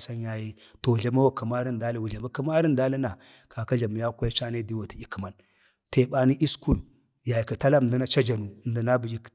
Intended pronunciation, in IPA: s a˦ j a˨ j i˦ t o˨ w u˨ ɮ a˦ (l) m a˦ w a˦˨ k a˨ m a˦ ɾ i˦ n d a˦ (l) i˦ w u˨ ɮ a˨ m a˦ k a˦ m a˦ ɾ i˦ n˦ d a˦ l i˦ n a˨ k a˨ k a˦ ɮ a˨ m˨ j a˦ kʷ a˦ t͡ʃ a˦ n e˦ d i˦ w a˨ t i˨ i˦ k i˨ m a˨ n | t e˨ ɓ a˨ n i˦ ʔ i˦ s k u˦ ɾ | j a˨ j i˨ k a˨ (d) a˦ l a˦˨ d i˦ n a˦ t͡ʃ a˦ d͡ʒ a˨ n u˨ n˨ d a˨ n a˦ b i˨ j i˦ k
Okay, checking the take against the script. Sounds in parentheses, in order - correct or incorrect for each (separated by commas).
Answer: incorrect, correct, incorrect